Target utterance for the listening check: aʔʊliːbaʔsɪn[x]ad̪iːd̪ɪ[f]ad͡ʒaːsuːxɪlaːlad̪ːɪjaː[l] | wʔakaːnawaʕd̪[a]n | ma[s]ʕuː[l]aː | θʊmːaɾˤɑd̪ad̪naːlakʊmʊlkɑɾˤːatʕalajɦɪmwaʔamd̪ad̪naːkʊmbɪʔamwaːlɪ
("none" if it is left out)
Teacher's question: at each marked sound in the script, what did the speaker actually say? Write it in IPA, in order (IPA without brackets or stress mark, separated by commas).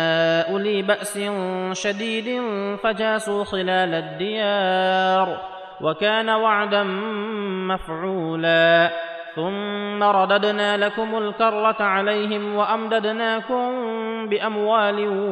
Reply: ʃ, f, ɾ, a, f, l